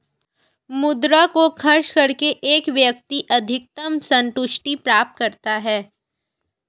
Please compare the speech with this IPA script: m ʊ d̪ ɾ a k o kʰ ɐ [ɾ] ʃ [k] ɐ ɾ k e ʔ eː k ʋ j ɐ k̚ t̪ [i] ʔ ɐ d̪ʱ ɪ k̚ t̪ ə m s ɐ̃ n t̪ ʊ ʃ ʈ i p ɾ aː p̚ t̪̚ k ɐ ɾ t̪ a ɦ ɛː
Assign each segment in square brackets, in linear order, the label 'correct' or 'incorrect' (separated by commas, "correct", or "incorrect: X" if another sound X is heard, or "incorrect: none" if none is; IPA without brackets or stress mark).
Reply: correct, correct, correct